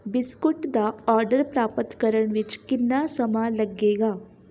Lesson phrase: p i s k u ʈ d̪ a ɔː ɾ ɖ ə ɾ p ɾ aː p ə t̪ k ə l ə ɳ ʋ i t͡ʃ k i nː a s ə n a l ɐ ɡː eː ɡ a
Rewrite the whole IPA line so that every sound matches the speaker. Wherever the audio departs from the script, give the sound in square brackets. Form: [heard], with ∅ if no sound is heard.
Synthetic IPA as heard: [b] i s k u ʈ d̪ a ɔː ɾ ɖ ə ɾ p ɾ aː p ə t̪ k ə [ɾ] ə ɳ ʋ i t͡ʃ k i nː a s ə [m] a l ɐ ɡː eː ɡ a